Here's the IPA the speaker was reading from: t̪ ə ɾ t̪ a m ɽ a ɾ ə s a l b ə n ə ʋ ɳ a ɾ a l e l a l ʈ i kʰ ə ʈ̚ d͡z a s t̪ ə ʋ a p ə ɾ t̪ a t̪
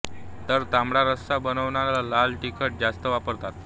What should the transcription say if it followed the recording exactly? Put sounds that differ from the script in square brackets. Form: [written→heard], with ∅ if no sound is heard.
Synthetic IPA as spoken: t̪ ə ɾ t̪ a m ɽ a ɾ ə s a [l→∅] b ə n ə ʋ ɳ a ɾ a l [e→a] l a l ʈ i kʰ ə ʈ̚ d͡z a s t̪ ə ʋ a p ə ɾ t̪ a t̪